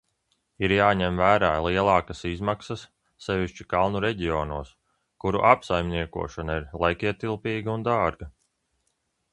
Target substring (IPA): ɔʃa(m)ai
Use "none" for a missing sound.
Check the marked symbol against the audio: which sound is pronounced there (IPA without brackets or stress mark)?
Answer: n